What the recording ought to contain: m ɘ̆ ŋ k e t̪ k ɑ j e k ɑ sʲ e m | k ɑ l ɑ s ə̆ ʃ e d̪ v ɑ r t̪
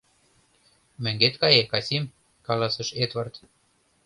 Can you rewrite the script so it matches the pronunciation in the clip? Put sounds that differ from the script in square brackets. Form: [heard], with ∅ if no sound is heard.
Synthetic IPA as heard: m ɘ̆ ŋ [ɡ] e t̪ k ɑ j e k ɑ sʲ [i] m | k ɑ l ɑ s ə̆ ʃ e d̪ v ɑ r t̪